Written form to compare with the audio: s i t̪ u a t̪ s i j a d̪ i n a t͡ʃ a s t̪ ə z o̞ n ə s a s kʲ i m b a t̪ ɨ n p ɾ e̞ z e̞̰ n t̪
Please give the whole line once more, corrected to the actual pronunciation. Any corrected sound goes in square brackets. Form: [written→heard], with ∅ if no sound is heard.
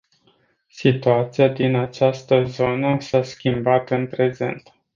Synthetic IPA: s i t̪ u a t̪ s i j a d̪ i n a t͡ʃ a s t̪ ə z o̞ n ə s a s kʲ i m b a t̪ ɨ n p ɾ e̞ z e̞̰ n t̪